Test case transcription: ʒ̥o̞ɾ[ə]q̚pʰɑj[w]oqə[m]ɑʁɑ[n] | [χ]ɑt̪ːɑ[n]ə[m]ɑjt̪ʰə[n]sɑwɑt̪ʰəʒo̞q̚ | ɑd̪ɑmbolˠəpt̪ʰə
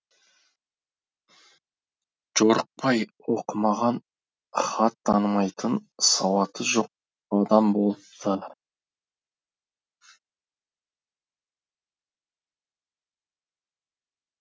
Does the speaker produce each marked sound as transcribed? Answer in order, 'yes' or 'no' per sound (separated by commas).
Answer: yes, yes, yes, yes, yes, yes, yes, yes